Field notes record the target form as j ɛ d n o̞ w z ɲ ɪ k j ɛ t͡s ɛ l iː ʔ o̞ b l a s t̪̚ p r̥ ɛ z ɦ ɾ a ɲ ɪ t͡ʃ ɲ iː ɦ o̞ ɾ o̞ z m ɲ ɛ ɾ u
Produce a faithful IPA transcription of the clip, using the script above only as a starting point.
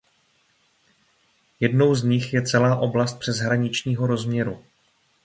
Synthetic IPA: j ɛ d n o̞ w z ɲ ɪ x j ɛ t͡s ɛ l aː ʔ o̞ b l a s t̪̚ p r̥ ɛ z ɦ ɾ a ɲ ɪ t͡ʃ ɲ iː ɦ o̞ ɾ o̞ z m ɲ ɛ ɾ u